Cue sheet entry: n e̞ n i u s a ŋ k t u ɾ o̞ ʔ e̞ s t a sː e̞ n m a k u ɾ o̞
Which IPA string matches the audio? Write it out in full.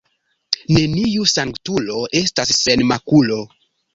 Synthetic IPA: n e̞ n i u s a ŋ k t u l o̞ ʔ e̞ s t a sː e̞ n m a k u l o̞